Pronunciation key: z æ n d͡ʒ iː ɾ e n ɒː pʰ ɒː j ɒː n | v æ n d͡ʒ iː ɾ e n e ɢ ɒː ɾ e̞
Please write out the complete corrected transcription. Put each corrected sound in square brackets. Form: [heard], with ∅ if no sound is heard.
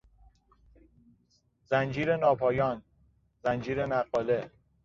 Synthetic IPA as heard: z æ n d͡ʒ iː ɾ e n ɒː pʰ ɒː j ɒː n | [z] æ n d͡ʒ iː ɾ e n [æ] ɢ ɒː [l] e̞